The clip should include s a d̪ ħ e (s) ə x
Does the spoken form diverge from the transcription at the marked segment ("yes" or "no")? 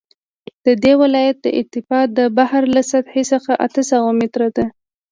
no